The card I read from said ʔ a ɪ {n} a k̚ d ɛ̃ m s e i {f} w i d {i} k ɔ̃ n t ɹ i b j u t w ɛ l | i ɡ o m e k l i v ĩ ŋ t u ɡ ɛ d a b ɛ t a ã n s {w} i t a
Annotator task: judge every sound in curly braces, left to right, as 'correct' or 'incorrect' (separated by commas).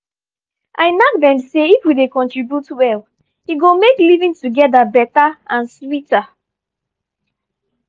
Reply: correct, correct, incorrect, correct